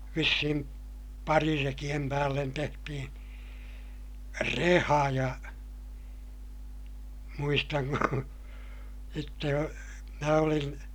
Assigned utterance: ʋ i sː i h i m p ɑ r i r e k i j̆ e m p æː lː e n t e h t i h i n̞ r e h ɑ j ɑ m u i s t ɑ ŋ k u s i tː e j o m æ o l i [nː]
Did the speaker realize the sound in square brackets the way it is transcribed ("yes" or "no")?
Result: no